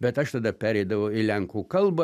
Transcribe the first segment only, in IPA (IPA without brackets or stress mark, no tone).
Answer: bʲ